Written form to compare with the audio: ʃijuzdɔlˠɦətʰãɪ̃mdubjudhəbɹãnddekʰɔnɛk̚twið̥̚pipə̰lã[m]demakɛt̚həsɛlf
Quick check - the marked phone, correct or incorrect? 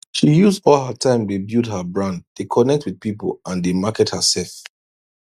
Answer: incorrect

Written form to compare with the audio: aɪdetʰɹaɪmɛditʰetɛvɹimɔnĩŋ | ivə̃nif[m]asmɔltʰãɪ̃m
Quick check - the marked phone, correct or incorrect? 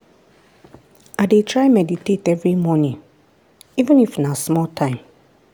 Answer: incorrect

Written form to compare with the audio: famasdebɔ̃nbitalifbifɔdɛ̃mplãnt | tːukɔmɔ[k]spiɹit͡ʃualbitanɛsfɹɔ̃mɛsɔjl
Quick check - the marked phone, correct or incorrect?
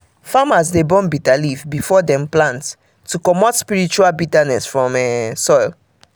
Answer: incorrect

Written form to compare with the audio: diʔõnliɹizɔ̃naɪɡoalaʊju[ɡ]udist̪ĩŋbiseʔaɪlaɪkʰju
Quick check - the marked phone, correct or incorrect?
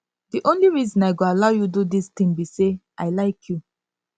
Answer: incorrect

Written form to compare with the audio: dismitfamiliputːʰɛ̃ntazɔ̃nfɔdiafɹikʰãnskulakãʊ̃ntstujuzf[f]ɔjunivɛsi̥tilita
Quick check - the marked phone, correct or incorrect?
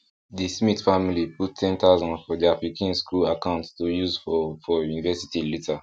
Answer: correct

